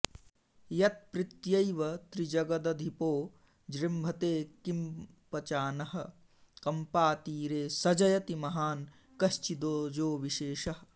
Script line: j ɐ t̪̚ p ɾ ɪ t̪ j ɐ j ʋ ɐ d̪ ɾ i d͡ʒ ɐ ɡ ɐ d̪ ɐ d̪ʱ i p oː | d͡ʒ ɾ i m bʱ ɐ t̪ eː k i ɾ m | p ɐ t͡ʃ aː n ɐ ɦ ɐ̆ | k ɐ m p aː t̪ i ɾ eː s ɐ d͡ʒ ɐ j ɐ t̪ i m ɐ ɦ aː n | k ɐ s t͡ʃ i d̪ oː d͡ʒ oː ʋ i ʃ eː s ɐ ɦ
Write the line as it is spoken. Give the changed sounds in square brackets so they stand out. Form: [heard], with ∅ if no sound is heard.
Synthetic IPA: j ɐ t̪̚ p ɾ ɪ t̪ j ɐ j ʋ ɐ [t̪] ɾ i d͡ʒ ɐ ɡ ɐ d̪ ɐ d̪ʱ i p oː | d͡ʒ ɾ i m bʱ ɐ t̪ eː k i [∅] m | p ɐ t͡ʃ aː n ɐ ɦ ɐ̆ | k ɐ m p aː t̪ [iː] ɾ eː s ɐ d͡ʒ ɐ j ɐ t̪ i m ɐ ɦ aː n | k ɐ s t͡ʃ i d̪ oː d͡ʒ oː ʋ i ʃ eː [ʃ] ɐ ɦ